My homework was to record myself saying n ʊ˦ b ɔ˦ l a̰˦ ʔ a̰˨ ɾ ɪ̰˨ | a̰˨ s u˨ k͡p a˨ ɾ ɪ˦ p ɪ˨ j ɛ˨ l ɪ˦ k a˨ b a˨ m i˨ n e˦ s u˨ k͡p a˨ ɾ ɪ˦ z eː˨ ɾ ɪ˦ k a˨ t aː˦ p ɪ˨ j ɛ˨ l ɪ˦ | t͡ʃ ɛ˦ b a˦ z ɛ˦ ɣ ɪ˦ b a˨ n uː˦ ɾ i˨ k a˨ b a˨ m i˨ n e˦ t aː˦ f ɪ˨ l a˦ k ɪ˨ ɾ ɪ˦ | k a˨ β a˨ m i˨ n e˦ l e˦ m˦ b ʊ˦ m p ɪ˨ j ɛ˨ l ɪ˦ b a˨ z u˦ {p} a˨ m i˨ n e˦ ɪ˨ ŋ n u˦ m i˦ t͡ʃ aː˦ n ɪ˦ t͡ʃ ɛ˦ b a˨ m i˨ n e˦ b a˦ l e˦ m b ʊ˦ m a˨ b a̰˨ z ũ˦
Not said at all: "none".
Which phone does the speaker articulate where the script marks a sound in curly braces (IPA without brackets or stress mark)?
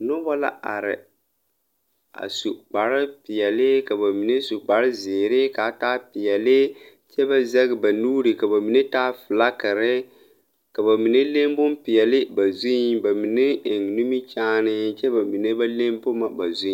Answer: b